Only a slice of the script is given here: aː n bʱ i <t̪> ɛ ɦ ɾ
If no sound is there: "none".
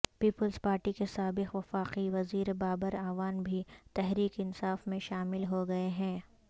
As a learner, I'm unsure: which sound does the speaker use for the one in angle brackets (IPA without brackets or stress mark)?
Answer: t̪